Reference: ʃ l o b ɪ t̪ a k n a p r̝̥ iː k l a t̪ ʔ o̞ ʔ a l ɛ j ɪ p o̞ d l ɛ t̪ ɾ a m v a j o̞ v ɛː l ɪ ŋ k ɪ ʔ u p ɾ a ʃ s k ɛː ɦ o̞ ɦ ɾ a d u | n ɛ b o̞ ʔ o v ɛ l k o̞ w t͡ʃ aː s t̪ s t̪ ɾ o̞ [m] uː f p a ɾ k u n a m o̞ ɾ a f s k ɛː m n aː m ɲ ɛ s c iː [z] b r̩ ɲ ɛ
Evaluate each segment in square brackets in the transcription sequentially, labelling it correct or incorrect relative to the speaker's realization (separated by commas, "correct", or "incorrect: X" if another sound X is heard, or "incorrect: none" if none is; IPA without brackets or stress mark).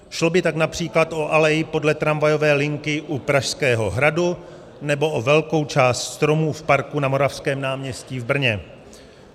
correct, incorrect: v